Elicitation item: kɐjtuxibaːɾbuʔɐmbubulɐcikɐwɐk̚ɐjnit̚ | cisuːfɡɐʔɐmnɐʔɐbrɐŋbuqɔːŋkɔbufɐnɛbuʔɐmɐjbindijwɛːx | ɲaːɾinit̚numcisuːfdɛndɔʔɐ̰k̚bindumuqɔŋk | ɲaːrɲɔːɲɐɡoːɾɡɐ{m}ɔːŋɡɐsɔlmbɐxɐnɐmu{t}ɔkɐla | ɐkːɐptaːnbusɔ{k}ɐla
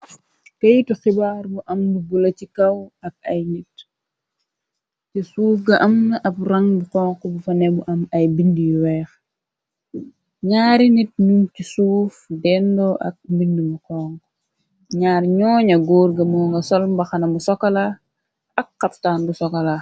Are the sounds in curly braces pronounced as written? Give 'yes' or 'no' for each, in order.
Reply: yes, no, yes

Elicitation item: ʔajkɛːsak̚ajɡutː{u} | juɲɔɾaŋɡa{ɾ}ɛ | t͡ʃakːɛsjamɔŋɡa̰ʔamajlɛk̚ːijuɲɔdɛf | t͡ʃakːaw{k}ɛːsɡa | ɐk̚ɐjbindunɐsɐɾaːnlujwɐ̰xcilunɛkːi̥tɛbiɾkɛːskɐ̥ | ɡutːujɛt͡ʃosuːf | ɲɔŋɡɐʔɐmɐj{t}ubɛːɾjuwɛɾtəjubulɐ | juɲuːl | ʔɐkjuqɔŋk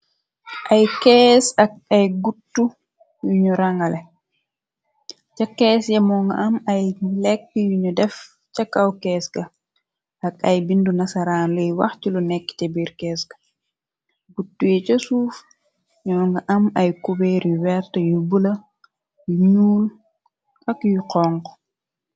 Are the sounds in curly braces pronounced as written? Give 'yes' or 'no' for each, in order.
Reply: yes, no, yes, no

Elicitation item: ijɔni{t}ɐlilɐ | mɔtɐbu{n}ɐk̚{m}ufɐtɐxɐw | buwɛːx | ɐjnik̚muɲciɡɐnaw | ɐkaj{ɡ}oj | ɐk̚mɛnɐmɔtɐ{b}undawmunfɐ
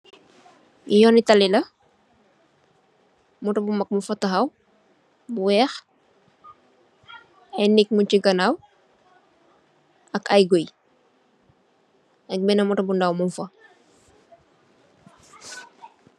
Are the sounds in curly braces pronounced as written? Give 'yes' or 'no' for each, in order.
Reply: yes, no, yes, yes, yes

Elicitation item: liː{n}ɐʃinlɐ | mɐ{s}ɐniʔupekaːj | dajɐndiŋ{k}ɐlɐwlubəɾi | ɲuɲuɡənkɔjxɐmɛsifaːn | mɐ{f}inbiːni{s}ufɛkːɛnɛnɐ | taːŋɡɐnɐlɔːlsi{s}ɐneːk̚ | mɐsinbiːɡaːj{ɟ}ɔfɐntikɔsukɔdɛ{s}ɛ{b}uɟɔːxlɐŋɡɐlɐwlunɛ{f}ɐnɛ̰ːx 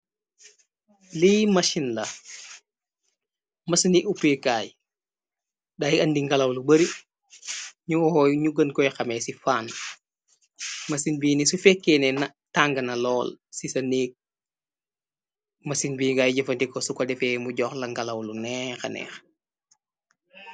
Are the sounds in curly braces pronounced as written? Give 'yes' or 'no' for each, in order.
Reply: no, yes, no, no, yes, yes, yes, no, no, no

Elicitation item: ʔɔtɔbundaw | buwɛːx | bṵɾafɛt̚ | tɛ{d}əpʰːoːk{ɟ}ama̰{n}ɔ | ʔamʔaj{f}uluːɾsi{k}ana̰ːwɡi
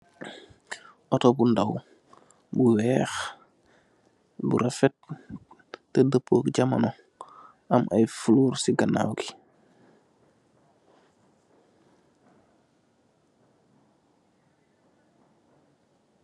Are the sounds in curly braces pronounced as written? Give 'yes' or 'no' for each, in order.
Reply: yes, yes, yes, yes, no

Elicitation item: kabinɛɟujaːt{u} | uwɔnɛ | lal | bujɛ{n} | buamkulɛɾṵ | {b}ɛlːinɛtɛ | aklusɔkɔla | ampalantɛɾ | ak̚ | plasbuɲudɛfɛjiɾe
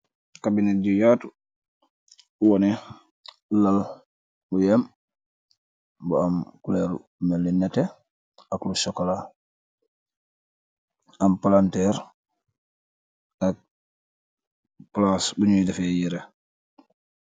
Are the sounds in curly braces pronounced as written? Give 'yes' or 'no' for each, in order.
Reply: yes, no, no

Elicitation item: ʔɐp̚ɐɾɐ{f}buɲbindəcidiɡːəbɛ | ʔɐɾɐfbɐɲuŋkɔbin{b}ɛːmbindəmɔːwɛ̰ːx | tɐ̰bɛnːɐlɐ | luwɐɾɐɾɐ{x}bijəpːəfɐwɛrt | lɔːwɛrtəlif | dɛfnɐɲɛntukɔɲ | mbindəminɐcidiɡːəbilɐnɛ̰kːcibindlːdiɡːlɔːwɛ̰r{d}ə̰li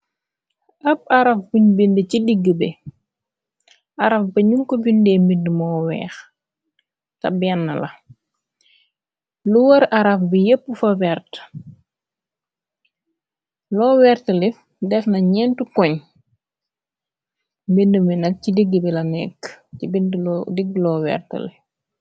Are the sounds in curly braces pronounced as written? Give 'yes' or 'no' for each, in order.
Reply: yes, no, no, no

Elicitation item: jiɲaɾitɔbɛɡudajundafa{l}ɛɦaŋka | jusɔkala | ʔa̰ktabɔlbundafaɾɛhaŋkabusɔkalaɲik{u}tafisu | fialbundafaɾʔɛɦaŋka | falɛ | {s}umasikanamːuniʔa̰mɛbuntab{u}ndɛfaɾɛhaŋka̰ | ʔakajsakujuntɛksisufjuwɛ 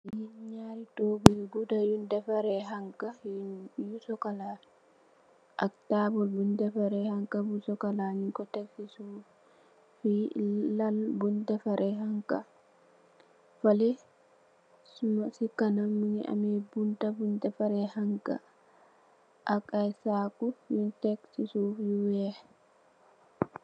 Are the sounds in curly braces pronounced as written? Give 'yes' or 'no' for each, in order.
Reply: no, no, yes, yes

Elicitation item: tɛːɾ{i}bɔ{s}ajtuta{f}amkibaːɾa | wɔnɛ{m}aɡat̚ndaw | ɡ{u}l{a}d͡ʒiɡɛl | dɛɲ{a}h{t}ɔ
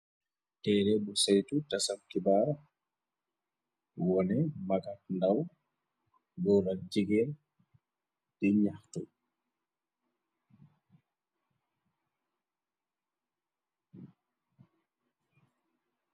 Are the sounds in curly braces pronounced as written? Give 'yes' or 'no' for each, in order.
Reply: no, yes, no, yes, no, yes, yes, yes

